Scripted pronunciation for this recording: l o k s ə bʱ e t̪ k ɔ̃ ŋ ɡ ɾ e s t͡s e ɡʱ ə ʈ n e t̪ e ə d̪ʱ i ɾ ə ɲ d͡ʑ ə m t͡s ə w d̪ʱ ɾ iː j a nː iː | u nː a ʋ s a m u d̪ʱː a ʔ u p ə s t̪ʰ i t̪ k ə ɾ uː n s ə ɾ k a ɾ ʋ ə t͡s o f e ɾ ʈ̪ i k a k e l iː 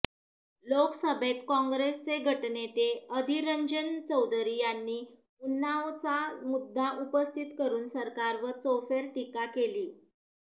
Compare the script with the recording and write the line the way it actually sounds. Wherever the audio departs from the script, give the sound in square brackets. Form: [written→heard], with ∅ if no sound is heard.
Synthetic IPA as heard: l o k s ə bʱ e t̪ k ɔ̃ ŋ ɡ ɾ e s t͡s e ɡʱ ə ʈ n e t̪ e ə d̪ʱ i ɾ ə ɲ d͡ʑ ə [m→n] t͡s ə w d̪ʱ ɾ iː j a nː iː | u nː a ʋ [s→t͡s] a m u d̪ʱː a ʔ u p ə s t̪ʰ i t̪ k ə ɾ uː n s ə ɾ k a ɾ ʋ ə t͡s o f e ɾ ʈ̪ i k a k e l iː